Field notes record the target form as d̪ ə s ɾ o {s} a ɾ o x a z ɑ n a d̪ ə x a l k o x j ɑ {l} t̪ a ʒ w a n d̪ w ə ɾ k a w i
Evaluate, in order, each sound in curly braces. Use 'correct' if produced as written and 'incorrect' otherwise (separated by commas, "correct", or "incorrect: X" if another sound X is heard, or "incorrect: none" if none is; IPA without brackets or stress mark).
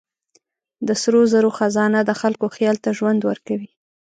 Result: incorrect: z, correct